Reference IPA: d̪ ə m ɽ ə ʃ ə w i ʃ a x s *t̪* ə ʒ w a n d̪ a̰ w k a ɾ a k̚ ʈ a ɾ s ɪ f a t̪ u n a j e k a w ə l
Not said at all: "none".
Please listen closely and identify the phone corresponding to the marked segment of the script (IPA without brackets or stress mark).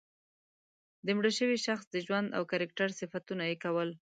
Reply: d̪